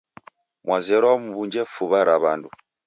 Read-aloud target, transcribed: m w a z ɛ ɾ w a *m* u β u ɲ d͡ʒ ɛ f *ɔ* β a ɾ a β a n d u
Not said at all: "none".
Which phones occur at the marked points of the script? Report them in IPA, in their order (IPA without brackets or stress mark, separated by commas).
m, u